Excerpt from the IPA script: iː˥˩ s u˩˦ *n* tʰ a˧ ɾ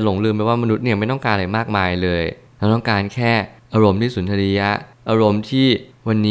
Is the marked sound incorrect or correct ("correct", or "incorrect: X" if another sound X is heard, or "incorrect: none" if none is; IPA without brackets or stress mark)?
correct